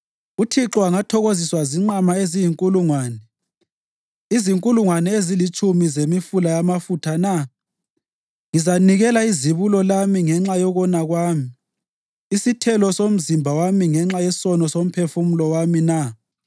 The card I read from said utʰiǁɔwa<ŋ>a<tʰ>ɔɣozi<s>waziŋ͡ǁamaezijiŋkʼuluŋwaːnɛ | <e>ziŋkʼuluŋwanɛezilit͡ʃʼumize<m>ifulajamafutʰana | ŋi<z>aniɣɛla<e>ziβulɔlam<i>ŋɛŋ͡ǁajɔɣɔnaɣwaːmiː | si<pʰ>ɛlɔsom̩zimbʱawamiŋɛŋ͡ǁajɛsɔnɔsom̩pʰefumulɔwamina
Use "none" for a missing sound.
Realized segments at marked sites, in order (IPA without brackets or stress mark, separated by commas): ŋ, tʰ, s, i, m, z, i, i, tʰ